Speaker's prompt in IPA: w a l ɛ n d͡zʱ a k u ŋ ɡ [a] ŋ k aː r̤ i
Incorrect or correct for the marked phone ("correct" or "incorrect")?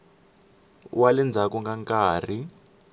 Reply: correct